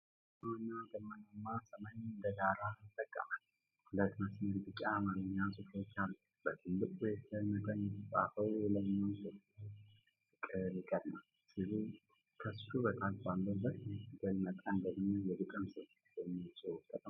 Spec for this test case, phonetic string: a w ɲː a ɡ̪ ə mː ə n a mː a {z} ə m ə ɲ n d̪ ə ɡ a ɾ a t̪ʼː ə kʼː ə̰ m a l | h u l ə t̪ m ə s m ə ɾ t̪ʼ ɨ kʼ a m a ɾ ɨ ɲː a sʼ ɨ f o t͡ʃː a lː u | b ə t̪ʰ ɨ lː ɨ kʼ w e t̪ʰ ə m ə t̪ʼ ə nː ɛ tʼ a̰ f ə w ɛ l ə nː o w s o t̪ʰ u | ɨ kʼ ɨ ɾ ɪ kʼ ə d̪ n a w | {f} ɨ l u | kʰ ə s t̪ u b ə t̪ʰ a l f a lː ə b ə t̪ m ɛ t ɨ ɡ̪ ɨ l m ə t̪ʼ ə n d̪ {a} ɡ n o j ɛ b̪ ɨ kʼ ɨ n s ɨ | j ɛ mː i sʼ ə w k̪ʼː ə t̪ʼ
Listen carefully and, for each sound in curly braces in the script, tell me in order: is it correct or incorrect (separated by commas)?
incorrect, incorrect, incorrect